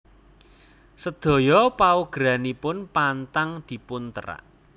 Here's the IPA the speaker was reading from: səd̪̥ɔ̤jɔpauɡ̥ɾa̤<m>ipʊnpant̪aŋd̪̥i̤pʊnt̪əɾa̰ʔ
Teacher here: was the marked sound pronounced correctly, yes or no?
no